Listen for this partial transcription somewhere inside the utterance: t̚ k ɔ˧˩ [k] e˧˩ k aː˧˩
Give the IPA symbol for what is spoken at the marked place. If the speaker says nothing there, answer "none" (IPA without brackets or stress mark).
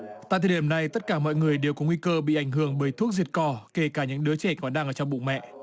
k